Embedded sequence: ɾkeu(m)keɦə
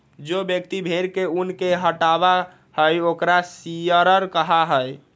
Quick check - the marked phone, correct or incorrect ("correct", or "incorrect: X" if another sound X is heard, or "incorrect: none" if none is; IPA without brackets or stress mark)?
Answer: incorrect: n